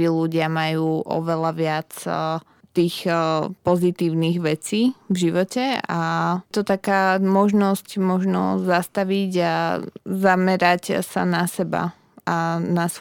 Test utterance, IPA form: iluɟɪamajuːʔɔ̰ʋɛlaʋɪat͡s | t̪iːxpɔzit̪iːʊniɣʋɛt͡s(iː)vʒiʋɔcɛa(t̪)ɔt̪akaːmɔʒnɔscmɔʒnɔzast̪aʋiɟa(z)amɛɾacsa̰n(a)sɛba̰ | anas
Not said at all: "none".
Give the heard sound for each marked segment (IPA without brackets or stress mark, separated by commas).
iː, t̪, z, a